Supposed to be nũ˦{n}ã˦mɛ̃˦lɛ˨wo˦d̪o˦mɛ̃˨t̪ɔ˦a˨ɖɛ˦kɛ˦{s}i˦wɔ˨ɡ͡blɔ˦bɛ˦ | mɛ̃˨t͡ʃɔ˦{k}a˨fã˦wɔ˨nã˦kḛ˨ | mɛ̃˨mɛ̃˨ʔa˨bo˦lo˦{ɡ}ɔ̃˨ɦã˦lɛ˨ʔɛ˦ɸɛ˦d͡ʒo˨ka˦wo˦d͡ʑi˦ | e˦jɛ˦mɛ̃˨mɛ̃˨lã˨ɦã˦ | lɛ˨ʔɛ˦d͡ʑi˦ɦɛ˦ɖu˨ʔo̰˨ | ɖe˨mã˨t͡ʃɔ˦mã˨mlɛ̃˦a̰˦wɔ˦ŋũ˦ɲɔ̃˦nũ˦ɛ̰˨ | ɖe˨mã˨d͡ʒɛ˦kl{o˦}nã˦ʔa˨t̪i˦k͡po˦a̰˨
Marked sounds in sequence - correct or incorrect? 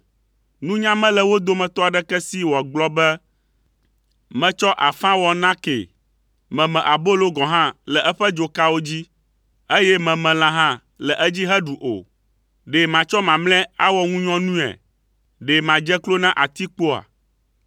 incorrect, correct, incorrect, correct, correct

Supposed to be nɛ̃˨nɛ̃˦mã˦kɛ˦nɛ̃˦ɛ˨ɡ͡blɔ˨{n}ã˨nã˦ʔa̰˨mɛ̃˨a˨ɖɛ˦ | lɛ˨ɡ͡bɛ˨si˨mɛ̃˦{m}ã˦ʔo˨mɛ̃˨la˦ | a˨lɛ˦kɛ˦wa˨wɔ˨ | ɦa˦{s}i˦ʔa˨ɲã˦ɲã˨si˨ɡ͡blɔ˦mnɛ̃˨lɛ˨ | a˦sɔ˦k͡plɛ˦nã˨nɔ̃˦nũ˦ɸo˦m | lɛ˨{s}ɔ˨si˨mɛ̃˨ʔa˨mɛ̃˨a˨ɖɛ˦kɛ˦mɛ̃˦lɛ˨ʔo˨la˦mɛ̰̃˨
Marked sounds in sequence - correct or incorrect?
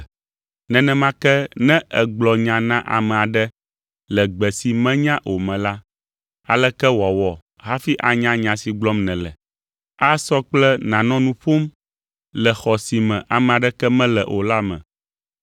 incorrect, incorrect, incorrect, incorrect

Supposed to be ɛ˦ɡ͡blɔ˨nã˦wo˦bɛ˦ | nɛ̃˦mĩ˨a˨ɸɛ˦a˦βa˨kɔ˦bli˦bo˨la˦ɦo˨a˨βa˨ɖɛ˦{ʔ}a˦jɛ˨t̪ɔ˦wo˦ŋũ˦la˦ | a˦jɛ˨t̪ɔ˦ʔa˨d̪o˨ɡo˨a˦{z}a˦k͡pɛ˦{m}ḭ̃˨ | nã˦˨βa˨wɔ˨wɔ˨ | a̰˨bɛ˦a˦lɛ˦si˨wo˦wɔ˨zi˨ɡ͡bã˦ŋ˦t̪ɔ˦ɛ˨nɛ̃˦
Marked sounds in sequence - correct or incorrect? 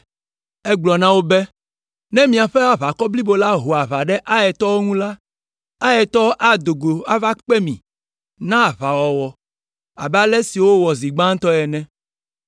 correct, incorrect, correct

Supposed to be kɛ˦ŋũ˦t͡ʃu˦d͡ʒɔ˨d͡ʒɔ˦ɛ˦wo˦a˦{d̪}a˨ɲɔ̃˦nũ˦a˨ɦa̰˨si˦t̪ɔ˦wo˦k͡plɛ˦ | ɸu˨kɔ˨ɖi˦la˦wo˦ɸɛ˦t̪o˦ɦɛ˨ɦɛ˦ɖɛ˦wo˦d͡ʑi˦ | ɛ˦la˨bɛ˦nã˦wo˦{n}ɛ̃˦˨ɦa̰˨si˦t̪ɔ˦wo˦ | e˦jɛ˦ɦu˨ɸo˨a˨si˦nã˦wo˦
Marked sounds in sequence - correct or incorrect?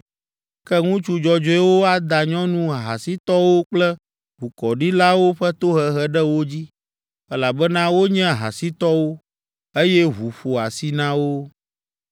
correct, incorrect

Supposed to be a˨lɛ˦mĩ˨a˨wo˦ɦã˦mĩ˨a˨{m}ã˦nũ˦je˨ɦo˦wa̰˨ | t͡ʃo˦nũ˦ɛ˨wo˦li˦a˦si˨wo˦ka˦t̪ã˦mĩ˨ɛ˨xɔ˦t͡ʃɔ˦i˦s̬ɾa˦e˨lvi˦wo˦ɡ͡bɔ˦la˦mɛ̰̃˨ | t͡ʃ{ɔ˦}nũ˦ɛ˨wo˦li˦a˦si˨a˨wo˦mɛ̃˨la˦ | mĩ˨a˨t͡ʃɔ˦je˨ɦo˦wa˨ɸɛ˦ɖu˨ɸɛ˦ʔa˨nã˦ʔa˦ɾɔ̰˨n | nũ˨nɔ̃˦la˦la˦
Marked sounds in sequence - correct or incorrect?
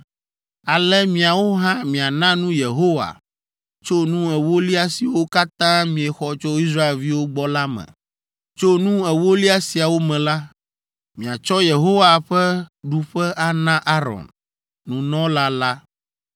incorrect, incorrect

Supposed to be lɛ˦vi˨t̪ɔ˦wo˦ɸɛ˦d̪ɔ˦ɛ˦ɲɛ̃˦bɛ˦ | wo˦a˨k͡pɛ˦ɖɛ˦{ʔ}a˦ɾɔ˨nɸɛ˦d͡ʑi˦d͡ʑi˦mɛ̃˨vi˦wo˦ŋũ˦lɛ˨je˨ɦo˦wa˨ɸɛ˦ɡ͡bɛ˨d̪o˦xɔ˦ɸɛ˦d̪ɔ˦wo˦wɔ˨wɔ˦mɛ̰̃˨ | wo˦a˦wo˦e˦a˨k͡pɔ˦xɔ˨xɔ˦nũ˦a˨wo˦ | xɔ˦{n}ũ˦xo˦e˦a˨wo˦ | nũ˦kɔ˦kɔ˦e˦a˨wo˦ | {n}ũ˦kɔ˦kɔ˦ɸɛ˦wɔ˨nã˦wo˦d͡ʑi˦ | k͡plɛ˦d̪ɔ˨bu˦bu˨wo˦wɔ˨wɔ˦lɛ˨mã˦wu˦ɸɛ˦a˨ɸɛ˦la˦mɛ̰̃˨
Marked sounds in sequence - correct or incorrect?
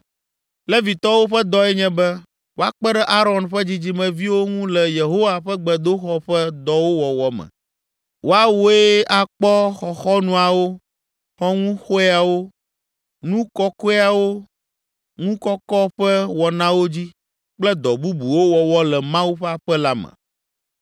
correct, incorrect, incorrect

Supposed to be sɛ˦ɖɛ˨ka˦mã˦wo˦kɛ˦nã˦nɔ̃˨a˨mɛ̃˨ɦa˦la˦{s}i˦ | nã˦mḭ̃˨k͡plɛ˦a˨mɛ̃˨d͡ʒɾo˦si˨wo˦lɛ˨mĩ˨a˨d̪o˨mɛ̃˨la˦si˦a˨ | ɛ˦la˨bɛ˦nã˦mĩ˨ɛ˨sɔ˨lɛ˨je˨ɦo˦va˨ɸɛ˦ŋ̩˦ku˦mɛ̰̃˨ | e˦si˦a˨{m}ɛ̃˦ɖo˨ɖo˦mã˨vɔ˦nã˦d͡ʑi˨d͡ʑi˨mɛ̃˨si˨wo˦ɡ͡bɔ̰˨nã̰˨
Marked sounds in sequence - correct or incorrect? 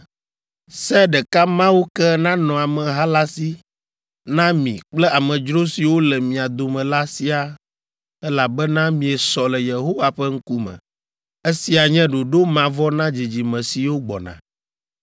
correct, incorrect

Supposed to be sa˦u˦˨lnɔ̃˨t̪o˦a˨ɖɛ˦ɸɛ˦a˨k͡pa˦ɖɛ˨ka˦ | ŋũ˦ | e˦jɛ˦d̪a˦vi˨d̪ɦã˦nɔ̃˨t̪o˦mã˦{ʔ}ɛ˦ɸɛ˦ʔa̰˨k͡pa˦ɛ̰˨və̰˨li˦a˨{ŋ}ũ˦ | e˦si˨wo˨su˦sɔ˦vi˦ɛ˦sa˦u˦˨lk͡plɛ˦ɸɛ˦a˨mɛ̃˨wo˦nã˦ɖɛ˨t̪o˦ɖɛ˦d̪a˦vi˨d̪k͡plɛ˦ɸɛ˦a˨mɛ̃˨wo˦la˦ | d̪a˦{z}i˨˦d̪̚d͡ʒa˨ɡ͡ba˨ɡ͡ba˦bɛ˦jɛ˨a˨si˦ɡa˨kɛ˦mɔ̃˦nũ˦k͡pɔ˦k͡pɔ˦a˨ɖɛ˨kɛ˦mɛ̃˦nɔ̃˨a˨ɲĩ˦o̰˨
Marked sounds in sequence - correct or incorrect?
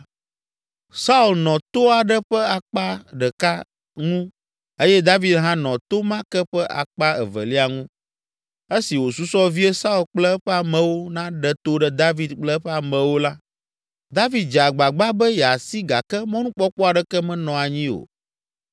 incorrect, correct, incorrect

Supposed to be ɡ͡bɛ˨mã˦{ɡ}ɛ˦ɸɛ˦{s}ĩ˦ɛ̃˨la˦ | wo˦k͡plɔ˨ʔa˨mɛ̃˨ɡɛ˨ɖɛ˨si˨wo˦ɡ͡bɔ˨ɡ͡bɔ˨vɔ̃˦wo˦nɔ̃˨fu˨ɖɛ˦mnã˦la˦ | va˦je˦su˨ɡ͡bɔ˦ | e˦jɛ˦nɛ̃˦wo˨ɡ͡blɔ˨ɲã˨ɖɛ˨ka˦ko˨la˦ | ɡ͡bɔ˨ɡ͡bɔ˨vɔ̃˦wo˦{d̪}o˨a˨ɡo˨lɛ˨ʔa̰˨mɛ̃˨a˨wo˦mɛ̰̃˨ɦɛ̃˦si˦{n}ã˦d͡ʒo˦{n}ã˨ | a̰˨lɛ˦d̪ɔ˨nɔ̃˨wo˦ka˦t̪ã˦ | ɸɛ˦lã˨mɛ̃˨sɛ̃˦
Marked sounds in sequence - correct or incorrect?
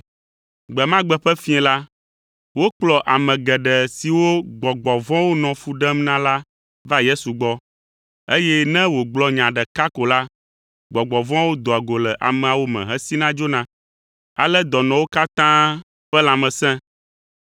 incorrect, incorrect, correct, correct, correct

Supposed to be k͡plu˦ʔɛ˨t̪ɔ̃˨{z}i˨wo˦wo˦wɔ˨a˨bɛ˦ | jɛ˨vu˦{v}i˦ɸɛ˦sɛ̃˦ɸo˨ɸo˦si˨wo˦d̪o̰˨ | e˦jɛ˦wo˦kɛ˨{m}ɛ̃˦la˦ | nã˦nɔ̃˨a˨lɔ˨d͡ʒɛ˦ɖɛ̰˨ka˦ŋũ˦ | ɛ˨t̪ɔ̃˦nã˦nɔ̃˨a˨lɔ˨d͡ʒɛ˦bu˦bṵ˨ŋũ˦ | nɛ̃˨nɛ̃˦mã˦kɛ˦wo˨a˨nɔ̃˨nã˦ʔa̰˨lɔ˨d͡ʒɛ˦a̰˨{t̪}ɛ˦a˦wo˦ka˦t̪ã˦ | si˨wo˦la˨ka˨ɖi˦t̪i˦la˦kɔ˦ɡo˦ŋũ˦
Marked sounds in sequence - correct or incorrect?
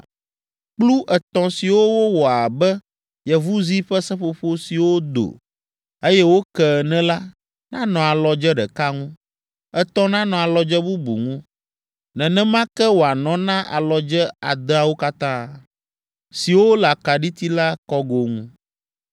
incorrect, incorrect, incorrect, incorrect

